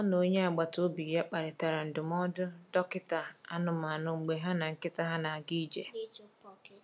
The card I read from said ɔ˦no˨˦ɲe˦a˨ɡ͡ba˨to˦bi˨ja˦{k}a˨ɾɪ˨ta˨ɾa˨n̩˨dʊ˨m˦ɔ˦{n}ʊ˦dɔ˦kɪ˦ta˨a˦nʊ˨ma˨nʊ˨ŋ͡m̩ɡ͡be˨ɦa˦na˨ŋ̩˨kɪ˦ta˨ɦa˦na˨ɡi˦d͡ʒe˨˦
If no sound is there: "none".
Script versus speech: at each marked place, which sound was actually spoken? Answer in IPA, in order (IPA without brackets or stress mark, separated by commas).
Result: k͡p, d